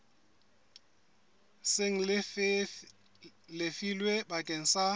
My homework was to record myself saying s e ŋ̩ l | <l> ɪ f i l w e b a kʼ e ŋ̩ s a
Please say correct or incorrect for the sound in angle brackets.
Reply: correct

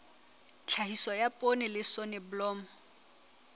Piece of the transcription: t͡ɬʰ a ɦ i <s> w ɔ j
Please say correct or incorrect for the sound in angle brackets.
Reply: correct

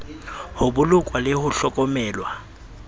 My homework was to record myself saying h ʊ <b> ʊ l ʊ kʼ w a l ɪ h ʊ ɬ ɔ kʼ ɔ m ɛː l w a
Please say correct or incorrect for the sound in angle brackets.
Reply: correct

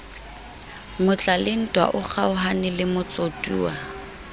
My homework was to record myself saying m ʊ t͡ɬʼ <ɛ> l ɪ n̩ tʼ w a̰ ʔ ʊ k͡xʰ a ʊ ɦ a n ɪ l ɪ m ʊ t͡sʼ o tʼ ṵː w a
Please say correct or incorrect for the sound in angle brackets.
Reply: incorrect: a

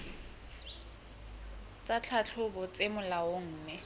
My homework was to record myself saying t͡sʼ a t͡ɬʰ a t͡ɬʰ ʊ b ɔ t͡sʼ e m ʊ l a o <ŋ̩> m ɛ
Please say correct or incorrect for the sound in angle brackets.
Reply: incorrect: ŋ̩ː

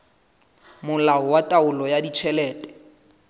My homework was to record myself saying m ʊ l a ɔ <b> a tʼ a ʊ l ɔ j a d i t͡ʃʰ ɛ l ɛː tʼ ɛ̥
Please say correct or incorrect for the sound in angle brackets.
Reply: incorrect: w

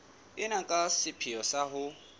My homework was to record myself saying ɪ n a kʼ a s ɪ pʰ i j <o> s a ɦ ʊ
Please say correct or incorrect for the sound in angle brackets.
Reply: incorrect: ɔ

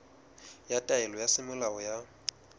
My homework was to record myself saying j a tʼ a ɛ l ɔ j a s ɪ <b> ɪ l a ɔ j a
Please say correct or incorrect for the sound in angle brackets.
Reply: incorrect: m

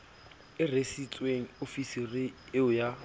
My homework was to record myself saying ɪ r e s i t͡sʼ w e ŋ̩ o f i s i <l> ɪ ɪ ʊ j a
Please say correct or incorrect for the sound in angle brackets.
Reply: incorrect: r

